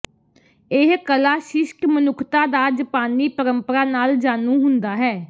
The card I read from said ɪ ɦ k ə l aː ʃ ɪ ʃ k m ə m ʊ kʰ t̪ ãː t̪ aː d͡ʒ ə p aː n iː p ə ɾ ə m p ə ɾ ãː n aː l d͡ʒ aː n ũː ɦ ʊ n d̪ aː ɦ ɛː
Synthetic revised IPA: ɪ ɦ k ə l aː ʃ ɪ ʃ k m ə n ʊ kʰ t̪ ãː d̪ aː d͡ʒ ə p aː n iː p ə ɾ ə m p ə ɾ aː n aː l d͡ʒ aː n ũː ɦ ʊ n d̪ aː ɦ ɛː